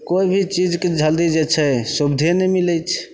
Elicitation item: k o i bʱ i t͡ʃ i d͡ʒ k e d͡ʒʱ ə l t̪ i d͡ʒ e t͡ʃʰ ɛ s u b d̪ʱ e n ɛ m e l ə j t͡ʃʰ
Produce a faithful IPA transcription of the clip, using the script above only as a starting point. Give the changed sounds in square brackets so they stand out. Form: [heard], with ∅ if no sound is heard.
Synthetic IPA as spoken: k o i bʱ i t͡ʃ i d͡ʒ k e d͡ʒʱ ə l [d̪] i d͡ʒ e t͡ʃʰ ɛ s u b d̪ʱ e n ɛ m [i] l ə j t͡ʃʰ